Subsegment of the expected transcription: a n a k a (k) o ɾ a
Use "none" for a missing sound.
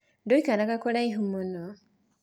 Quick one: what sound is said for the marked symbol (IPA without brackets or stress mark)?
k